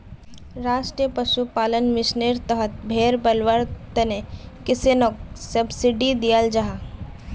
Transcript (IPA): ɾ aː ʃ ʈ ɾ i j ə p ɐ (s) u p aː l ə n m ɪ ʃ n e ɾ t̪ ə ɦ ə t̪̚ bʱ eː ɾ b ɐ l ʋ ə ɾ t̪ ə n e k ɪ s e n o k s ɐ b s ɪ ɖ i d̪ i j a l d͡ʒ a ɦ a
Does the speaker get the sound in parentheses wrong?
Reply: yes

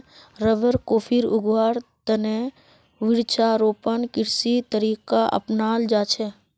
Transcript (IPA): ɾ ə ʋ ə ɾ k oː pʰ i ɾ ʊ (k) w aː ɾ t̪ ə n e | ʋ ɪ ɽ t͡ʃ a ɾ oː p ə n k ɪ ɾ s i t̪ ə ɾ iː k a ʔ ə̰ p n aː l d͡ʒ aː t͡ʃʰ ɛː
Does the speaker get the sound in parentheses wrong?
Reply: yes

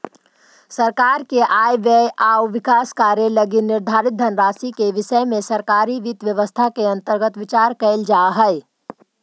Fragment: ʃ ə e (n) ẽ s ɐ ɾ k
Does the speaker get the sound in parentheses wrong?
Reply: yes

